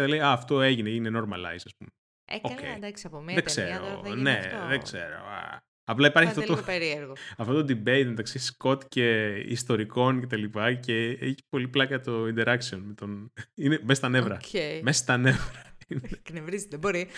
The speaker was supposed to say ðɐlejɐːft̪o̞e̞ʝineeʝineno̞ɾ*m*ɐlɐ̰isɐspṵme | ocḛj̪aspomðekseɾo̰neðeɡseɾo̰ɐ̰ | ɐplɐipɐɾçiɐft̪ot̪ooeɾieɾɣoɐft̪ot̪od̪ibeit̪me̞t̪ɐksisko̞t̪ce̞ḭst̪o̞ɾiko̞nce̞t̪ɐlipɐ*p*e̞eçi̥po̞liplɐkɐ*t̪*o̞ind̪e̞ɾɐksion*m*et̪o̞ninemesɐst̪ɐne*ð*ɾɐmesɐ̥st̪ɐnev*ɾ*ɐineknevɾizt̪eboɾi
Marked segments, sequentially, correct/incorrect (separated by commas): correct, incorrect, correct, correct, incorrect, correct